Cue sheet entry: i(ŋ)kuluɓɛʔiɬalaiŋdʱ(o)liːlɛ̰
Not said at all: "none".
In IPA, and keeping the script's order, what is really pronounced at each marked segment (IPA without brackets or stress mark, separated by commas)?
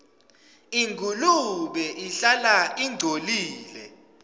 ŋ, o